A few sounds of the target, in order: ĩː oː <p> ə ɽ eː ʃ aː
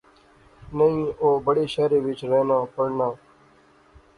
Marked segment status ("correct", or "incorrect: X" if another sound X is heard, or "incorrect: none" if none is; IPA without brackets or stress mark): incorrect: b